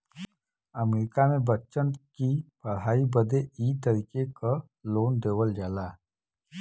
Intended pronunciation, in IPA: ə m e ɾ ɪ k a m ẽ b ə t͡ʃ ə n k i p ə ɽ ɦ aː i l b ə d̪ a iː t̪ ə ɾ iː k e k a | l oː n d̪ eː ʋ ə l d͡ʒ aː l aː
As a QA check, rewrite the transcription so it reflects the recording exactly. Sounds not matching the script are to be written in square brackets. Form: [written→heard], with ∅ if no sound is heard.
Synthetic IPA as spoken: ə m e ɾ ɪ k a m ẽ b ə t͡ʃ ə n k i p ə ɽ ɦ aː i [l→∅] b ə d̪ [a→e] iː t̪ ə ɾ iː k e k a | l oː n d̪ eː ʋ ə l d͡ʒ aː l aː